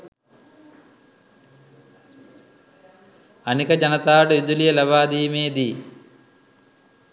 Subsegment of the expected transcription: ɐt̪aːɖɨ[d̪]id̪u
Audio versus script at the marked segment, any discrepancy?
yes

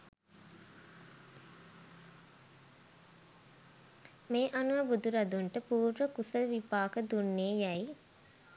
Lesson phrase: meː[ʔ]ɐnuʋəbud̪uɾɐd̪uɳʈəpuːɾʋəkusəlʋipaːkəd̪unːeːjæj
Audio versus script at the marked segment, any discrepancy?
no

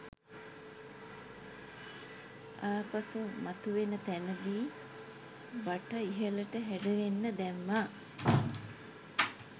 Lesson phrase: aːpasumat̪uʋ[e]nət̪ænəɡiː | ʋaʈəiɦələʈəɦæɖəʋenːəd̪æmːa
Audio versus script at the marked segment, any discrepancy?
no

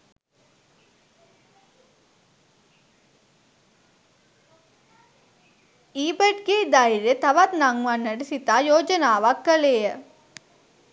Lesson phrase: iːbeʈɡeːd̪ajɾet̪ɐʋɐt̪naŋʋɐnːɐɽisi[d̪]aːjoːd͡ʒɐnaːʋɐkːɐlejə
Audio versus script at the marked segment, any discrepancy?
yes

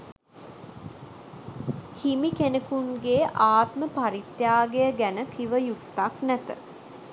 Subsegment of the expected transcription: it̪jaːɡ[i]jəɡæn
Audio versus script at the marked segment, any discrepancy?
yes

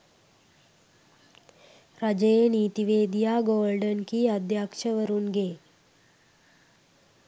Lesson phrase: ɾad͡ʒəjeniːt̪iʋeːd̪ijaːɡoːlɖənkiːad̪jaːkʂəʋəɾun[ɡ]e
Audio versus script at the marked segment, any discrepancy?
no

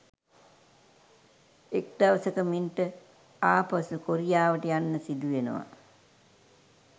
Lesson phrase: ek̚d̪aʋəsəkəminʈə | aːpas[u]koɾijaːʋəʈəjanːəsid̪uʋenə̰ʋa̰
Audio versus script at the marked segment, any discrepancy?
no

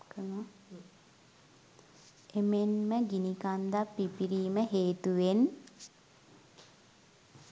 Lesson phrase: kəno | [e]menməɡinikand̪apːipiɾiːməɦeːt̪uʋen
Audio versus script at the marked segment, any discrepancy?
no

